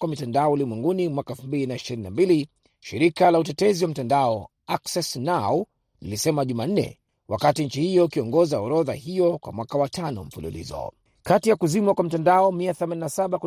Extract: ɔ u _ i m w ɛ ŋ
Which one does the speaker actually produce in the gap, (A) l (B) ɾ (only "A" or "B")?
A